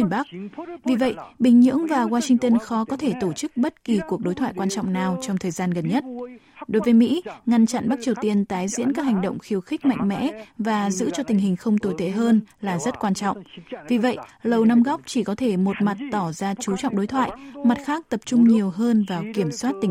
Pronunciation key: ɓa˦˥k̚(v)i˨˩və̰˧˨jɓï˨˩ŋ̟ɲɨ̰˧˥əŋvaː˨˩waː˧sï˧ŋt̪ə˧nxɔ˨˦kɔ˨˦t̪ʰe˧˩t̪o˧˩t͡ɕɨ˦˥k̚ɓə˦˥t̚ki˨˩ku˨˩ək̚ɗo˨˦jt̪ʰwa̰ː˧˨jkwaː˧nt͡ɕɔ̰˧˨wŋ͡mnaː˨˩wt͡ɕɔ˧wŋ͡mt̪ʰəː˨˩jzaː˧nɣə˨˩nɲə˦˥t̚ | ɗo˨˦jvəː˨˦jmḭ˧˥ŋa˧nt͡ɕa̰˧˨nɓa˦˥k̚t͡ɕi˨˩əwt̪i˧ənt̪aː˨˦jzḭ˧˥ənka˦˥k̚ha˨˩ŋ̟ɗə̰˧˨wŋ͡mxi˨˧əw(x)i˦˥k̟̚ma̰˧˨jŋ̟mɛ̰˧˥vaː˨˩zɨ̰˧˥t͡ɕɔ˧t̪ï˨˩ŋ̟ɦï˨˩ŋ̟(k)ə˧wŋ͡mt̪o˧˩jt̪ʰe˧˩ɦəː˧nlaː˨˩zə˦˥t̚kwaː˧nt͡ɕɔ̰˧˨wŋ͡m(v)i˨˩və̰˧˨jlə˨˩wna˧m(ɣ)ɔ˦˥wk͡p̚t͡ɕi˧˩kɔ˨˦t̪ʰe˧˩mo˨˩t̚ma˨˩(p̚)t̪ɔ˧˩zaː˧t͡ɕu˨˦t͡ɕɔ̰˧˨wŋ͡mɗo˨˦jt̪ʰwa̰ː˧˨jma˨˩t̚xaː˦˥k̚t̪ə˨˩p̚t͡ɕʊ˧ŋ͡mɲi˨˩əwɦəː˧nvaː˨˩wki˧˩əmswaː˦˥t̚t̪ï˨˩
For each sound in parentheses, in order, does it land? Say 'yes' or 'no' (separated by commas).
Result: yes, yes, no, yes, yes, no